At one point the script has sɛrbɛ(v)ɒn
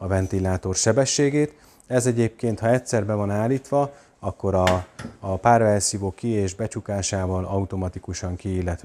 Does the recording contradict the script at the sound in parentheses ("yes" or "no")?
no